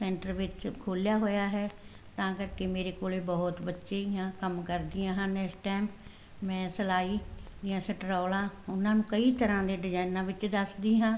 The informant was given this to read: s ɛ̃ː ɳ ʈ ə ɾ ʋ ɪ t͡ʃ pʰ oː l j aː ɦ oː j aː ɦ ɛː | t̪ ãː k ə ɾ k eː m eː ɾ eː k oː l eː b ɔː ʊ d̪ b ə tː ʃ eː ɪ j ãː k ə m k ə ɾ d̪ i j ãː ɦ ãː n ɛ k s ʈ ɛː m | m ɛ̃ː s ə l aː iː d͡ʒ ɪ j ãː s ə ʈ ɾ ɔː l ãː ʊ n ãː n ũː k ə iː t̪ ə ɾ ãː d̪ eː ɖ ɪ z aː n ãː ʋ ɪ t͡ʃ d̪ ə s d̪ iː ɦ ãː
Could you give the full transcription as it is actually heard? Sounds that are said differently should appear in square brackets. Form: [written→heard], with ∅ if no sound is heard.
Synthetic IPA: s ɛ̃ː ɳ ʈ ə ɾ ʋ ɪ t͡ʃ [pʰ→kʰ] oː l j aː ɦ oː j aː ɦ ɛː | t̪ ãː k ə ɾ k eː m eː ɾ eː k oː l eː b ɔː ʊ [d̪→t̪] b ə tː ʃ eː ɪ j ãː k ə m k ə ɾ d̪ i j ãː ɦ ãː n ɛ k s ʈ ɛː m | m ɛ̃ː s ə l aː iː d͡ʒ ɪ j ãː s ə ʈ ɾ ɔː l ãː ʊ n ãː n ũː k ə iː t̪ ə ɾ ãː d̪ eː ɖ ɪ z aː n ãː ʋ ɪ t͡ʃ d̪ ə s d̪ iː ɦ ãː